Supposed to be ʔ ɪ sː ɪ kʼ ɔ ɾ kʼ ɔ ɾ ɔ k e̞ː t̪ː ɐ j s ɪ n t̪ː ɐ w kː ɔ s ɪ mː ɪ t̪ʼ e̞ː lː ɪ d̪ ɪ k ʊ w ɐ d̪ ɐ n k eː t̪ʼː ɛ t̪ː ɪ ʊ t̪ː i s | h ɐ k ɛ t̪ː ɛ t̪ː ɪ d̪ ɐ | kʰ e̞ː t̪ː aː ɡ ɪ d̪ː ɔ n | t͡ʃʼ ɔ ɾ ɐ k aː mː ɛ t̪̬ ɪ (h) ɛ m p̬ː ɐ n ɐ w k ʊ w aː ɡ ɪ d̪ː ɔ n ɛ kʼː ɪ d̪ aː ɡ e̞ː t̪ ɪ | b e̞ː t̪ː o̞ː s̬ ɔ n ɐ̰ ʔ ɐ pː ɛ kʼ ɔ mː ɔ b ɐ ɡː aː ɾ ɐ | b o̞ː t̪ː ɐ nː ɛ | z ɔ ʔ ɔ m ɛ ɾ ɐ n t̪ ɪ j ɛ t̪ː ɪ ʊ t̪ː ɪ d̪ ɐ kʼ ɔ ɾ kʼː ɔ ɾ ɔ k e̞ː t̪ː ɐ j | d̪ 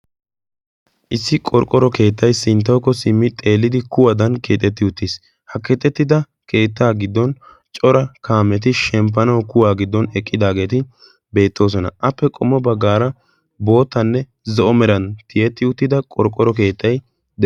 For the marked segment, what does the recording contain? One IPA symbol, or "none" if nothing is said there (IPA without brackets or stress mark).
ʃ